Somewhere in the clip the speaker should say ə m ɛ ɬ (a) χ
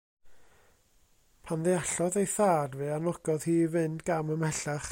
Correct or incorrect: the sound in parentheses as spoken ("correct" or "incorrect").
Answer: correct